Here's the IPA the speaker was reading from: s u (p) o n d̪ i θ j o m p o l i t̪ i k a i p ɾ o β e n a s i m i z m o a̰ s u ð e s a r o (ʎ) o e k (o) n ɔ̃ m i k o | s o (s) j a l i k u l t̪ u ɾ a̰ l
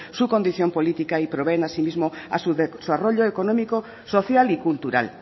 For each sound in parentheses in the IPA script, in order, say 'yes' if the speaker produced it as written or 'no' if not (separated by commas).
no, yes, yes, no